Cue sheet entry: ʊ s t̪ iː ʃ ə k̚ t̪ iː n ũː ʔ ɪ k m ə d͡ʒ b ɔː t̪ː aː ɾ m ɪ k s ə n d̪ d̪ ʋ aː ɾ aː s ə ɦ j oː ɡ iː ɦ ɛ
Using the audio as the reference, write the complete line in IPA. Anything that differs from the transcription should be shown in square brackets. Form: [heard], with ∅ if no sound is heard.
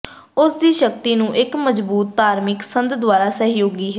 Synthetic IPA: ʊ s [d̪] iː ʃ ə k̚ t̪ iː n ũː ʔ ɪ k m ə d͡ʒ b [uː] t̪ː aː ɾ m ɪ k s ə n d̪ d̪ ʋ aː ɾ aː s ə ɦ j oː ɡ iː ɦ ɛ